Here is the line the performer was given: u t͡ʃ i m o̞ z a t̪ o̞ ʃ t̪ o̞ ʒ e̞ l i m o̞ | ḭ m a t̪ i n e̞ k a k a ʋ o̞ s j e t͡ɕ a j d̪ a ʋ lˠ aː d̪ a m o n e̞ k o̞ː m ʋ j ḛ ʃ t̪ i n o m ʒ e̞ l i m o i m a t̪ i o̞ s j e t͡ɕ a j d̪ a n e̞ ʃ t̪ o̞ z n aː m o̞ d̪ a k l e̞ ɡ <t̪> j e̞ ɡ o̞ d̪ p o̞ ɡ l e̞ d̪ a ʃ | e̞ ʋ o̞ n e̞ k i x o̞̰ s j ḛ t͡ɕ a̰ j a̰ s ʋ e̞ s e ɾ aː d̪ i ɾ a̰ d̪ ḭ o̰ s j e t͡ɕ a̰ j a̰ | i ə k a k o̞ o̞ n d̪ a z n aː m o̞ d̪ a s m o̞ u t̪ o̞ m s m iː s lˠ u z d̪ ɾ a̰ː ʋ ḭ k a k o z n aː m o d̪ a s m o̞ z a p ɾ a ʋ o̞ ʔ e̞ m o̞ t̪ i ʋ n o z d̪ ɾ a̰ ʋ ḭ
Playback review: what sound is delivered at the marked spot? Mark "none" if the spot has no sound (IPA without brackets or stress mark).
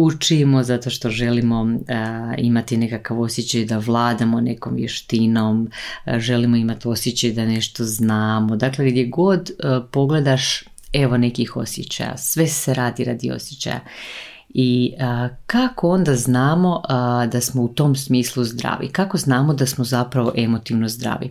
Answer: d̪